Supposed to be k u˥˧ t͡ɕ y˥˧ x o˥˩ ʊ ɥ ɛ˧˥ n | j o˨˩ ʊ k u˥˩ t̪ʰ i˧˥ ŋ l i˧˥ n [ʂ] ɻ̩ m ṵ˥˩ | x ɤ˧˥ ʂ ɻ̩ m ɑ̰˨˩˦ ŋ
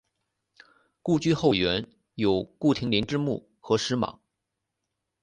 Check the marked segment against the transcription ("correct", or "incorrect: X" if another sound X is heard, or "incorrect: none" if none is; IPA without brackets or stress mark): incorrect: ʈ͡ʂ